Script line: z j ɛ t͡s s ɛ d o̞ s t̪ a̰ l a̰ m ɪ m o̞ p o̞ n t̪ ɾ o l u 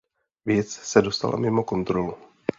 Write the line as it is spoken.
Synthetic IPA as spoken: v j ɛ t͡s s ɛ d o̞ s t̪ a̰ l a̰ m ɪ m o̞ k o̞ n t̪ ɾ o l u